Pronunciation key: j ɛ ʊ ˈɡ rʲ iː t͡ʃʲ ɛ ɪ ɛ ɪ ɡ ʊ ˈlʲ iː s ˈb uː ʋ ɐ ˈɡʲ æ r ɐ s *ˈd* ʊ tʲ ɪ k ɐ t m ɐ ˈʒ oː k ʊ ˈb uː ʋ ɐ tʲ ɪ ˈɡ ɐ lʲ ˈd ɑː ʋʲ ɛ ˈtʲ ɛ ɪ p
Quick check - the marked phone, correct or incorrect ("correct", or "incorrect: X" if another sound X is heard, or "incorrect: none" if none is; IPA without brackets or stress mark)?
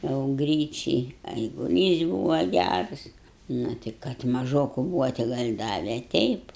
incorrect: n